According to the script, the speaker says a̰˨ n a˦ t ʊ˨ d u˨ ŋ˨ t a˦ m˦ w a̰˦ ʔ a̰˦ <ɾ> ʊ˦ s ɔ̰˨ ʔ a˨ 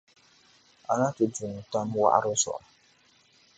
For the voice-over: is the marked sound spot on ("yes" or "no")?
yes